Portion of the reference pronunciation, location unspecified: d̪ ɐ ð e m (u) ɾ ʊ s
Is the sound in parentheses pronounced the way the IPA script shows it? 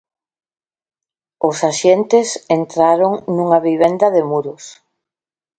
yes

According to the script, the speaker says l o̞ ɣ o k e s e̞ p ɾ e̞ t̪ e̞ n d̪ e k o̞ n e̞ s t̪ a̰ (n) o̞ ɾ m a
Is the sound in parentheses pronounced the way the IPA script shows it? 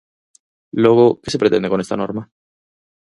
yes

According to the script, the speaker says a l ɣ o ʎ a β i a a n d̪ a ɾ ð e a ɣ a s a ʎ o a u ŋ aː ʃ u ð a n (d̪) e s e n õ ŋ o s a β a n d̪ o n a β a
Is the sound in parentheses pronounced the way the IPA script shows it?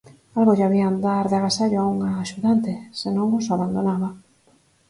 no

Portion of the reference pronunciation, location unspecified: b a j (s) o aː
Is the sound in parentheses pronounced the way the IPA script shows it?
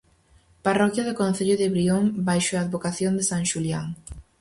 no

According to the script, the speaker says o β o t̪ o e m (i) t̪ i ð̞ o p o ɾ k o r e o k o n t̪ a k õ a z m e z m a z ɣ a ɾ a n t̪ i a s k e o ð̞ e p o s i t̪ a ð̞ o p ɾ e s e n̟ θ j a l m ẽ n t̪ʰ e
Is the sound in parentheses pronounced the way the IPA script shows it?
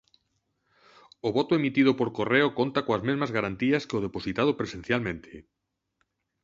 yes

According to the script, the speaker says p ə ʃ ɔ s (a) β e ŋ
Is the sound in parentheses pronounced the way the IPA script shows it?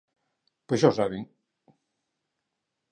yes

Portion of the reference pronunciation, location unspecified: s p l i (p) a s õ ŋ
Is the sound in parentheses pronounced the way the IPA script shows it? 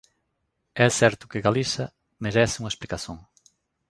no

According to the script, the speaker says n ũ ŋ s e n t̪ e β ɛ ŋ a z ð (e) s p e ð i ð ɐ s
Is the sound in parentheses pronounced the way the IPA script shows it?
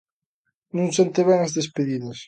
yes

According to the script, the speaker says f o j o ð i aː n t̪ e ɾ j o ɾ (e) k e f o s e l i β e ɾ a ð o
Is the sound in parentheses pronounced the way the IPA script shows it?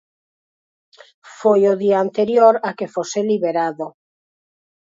no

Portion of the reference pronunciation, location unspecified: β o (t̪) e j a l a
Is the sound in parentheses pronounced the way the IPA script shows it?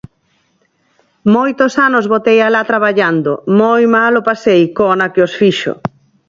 yes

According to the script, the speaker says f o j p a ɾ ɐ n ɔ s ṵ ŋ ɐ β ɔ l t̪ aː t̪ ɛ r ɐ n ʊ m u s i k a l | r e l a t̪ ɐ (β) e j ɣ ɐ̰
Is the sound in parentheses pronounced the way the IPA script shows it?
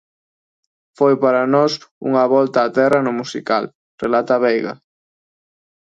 yes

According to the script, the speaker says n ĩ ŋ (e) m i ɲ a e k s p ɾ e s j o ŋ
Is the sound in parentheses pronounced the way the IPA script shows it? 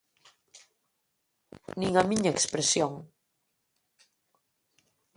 no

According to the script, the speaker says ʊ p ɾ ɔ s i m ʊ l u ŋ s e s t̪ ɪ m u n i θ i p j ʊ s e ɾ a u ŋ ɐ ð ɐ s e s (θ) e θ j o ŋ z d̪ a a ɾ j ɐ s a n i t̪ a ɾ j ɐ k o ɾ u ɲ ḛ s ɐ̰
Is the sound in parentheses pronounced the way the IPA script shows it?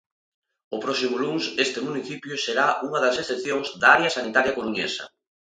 yes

